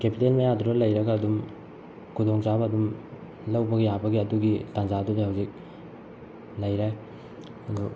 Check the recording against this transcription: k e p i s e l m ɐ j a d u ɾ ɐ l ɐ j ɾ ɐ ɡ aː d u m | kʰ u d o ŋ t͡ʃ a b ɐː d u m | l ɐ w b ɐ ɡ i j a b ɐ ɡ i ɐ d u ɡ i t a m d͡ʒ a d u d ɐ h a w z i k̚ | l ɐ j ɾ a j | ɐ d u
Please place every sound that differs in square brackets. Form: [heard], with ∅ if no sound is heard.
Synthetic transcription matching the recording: k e p i [t] e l m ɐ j a d u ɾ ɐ l ɐ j ɾ ɐ ɡ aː d u m | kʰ u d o ŋ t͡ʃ a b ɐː d u m | l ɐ w b ɐ ɡ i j a b ɐ ɡ i ɐ d u ɡ i t a [n] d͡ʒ a d u d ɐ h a w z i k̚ | l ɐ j ɾ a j | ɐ d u